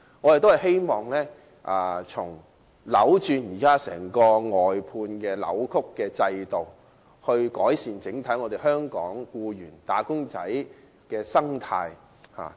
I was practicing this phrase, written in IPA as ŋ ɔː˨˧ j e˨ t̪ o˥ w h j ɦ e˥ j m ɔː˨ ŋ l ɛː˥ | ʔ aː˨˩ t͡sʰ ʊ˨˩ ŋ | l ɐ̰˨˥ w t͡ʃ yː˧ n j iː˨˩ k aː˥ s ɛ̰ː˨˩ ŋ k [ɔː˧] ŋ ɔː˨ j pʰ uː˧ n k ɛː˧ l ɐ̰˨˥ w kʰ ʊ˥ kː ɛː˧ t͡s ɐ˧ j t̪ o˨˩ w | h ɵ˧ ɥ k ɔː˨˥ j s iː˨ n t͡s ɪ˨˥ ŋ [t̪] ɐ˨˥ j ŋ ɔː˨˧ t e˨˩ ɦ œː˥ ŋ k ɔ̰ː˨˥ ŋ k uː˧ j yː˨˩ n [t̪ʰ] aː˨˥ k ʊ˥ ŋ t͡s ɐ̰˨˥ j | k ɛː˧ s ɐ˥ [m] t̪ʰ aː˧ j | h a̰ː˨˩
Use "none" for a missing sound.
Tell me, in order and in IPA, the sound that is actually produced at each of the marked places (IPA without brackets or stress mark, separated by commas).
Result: ɔː˧, t̪ʰ, t̪, ŋ